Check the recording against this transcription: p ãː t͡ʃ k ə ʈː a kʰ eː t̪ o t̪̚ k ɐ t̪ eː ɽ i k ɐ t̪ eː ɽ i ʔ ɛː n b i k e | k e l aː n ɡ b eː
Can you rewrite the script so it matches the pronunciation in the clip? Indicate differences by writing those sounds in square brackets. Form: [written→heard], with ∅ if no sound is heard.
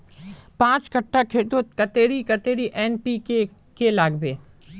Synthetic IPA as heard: p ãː t͡ʃ k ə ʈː a kʰ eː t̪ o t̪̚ k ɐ t̪ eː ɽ i k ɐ t̪ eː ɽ i ʔ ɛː n [b→p] i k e | k e l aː [n→∅] ɡ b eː